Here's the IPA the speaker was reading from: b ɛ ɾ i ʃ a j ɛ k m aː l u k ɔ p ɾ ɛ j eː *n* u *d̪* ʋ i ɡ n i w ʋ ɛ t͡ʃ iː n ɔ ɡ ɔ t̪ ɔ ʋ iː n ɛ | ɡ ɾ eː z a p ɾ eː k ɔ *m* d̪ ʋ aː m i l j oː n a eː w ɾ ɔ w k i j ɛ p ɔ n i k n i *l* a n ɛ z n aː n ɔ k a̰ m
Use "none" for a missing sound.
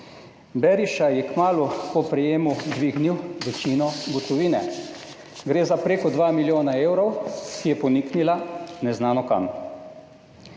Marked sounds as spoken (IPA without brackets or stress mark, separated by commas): m, d̪, none, l